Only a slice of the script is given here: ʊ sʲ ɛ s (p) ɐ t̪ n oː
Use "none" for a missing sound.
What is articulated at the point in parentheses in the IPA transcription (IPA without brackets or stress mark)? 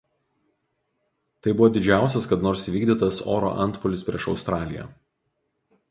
k